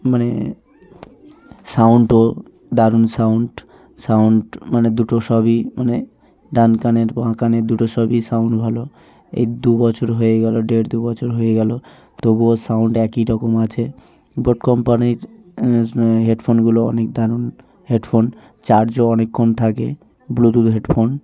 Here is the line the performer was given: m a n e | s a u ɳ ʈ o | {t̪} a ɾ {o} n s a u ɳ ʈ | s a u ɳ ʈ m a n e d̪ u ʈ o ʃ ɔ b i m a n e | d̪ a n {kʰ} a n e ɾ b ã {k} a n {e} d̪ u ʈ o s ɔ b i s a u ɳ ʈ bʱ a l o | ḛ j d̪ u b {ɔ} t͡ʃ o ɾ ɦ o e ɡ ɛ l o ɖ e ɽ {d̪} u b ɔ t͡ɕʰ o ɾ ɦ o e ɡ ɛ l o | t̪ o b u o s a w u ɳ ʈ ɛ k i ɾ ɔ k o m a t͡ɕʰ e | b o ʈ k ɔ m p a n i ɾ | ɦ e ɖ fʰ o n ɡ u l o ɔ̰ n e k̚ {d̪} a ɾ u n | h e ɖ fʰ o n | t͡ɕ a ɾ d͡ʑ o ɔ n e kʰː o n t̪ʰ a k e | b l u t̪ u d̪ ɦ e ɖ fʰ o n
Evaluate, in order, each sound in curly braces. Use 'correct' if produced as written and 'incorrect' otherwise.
incorrect, incorrect, incorrect, correct, correct, correct, correct, correct

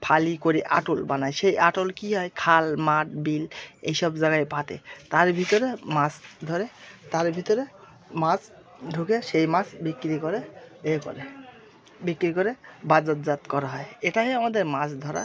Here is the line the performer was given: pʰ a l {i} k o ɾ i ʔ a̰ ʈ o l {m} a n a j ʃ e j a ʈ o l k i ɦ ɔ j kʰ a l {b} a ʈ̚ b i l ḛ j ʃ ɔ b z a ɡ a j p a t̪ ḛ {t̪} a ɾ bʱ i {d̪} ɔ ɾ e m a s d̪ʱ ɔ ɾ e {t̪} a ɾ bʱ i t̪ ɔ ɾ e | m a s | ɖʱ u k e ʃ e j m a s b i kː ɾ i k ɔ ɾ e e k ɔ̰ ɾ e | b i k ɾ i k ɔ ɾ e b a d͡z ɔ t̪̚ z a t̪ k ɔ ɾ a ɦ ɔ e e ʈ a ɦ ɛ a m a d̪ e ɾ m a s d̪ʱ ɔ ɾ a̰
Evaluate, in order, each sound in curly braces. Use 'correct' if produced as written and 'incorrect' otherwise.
correct, incorrect, incorrect, correct, incorrect, correct

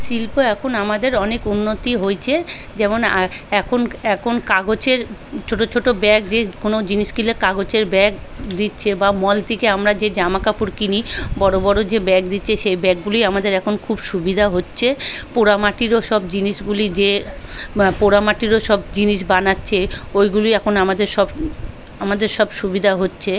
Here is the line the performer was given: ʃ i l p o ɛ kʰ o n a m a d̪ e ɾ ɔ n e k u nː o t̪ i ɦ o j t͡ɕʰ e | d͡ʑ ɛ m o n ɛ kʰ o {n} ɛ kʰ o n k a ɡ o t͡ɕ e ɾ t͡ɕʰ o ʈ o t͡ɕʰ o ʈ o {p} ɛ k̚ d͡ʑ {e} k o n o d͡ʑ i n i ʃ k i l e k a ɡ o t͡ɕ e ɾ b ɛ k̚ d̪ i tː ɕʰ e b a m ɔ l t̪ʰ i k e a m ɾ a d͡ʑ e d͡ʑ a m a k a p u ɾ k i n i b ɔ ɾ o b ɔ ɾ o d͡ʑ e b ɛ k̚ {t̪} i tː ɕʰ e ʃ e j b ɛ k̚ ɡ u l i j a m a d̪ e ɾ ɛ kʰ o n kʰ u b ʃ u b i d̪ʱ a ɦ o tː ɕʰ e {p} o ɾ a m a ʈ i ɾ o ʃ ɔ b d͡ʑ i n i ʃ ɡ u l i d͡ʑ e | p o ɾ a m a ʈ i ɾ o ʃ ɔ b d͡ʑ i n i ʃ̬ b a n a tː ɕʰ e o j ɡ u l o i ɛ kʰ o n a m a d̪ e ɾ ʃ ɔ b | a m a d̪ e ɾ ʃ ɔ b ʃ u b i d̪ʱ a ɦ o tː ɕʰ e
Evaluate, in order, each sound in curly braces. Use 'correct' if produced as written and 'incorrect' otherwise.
correct, incorrect, correct, incorrect, correct

